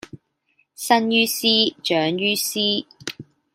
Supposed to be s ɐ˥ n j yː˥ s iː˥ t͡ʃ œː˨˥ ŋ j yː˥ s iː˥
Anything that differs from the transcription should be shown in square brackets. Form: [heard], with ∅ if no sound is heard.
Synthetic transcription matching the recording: s ɐ˥ n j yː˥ s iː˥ t͡ʃ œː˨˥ ŋ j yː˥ s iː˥